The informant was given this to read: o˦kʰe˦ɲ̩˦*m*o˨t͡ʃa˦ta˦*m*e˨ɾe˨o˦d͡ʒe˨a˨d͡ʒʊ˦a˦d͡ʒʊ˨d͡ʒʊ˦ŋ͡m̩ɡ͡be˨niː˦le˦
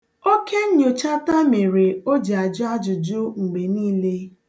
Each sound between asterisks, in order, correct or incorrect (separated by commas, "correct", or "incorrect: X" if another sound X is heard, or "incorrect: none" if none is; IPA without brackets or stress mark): incorrect: ɲ, correct